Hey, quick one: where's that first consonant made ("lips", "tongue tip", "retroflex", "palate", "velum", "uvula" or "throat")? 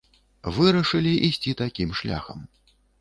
lips